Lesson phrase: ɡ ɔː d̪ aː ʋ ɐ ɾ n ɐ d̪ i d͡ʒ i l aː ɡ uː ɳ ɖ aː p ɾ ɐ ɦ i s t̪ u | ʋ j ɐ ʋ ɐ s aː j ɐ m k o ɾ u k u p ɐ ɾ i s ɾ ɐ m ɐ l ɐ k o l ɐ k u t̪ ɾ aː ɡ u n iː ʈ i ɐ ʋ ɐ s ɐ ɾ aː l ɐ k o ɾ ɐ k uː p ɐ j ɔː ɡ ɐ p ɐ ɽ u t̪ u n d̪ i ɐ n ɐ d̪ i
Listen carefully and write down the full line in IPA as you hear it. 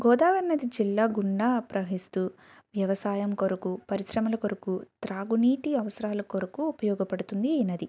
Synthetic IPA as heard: ɡ ɔː d̪ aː ʋ ɐ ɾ n ɐ d̪ i d͡ʒ i lː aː ɡ u ɳ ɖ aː p ɾ ɐ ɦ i s t̪ u | ʋ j ɐ ʋ ɐ s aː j ɐ m k o ɾ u k u p ɐ ɾ i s ɾ ɐ m ɐ l ɐ k o ɾ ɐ k u t̪ ɾ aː ɡ u n iː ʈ i ɐ ʋ ɐ s ɐ ɾ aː l ɐ k o ɾ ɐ k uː p ɐ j ɔː ɡ ɐ p ɐ ɽ u t̪ u n d̪ i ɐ n ɐ d̪ i